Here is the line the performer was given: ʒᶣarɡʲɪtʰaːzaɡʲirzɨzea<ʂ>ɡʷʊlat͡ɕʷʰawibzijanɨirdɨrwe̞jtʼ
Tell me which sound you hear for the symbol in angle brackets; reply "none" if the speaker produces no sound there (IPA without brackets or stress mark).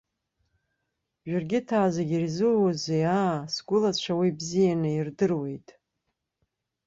s